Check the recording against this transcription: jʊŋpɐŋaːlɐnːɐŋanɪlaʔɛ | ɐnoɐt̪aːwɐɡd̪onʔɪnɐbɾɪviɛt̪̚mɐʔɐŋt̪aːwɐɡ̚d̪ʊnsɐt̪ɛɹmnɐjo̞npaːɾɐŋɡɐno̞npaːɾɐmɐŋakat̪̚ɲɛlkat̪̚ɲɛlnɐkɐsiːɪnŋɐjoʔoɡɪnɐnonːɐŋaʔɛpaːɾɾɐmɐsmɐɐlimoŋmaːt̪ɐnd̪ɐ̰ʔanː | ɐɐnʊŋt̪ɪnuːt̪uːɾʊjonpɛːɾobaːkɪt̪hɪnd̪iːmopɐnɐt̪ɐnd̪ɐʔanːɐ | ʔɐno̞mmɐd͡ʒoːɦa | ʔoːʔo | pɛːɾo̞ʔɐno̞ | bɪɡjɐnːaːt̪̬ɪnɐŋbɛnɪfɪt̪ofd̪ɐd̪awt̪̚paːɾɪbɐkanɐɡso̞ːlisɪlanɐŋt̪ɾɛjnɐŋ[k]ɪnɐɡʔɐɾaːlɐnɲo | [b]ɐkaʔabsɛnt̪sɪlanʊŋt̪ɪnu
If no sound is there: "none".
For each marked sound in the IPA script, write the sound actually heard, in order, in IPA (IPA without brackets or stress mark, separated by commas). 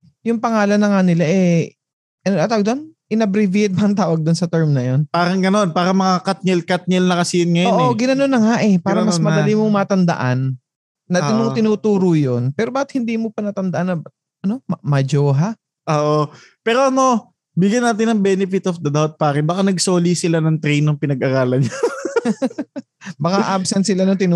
p, b